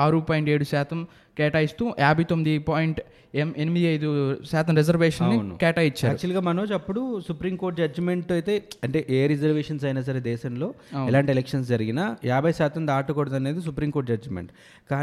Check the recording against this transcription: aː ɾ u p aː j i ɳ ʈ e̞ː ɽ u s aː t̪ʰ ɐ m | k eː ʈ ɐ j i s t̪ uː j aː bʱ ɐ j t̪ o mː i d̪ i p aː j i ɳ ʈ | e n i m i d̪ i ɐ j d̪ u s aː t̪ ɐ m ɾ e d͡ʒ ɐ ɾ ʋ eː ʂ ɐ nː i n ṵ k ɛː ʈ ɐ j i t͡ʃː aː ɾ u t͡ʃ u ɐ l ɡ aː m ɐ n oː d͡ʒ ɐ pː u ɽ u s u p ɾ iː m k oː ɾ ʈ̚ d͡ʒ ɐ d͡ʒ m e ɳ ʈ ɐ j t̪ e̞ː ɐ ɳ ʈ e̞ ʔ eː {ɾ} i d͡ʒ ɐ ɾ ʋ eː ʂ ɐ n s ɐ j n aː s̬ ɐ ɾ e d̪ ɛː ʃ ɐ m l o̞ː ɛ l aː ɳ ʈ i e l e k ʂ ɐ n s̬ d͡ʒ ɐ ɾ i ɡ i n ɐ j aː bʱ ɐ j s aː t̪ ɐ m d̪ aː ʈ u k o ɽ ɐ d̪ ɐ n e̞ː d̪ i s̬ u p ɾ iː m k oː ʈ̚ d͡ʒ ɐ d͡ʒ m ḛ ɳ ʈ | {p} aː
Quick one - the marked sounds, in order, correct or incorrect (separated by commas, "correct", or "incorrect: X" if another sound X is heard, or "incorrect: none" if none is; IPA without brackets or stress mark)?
correct, incorrect: k